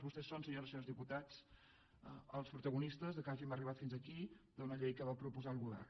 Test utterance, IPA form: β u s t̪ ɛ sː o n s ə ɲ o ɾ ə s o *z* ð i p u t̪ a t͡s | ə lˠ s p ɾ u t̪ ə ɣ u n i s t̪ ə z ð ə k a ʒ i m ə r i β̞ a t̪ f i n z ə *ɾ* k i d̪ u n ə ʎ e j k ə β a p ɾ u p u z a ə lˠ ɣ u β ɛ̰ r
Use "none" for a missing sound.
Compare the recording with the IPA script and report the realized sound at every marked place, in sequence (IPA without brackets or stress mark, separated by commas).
z, none